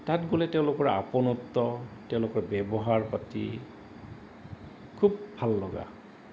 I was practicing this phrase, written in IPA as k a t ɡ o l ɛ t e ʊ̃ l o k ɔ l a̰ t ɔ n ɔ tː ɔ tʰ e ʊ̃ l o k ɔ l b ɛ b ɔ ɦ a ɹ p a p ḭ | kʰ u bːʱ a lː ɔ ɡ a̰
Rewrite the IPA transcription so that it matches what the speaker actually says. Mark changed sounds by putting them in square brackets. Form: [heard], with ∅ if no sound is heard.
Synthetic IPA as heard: [t] a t ɡ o l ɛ t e ʊ̃ l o k ɔ [ɹ] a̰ [p] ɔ n ɔ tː ɔ [t] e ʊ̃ l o k ɔ [ɹ] b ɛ b ɔ ɦ a ɹ p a [t] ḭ | kʰ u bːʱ a lː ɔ ɡ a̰